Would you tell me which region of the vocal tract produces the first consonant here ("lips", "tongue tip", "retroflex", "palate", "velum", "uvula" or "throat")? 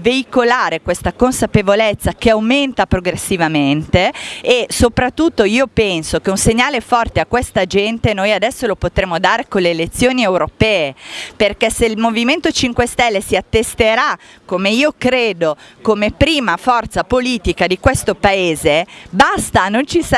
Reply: lips